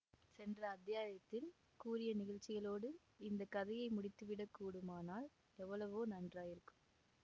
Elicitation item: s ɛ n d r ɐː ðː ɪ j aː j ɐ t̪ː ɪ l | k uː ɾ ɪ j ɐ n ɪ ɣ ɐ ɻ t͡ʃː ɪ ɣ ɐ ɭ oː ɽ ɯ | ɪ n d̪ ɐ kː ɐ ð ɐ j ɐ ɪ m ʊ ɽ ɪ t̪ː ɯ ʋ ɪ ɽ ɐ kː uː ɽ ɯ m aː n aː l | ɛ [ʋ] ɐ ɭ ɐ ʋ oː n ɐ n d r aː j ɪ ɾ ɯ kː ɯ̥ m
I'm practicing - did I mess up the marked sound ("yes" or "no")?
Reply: yes